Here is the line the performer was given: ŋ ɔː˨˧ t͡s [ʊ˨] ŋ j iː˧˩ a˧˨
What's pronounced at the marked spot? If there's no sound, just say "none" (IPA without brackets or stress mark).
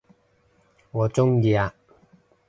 ʊ˥